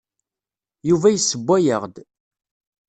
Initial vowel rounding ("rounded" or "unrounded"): rounded